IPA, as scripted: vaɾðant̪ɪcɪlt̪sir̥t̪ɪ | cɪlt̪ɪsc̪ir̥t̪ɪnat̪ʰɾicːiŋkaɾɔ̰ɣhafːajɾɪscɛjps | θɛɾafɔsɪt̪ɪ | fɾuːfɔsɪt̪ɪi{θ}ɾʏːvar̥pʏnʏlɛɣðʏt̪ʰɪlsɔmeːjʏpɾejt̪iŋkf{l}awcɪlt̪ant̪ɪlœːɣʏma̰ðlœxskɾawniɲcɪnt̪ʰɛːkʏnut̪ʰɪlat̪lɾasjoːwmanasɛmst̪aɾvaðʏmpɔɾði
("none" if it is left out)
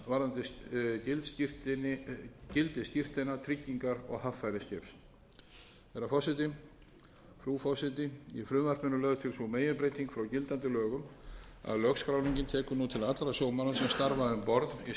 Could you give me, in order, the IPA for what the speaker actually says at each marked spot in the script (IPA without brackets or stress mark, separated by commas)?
f, ɾ